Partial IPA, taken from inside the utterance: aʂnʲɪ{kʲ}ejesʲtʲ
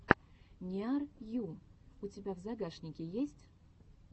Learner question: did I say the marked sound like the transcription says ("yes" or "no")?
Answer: yes